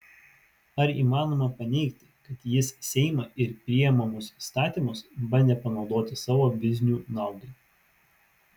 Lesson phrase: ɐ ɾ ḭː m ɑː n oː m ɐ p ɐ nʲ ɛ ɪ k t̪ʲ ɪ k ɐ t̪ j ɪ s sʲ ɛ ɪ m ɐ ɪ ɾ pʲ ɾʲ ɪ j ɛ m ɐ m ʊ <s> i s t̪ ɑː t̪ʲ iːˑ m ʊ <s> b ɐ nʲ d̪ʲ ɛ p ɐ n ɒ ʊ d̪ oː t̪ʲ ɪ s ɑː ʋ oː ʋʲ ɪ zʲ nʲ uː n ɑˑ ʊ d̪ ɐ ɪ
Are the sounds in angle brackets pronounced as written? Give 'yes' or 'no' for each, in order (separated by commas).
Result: yes, yes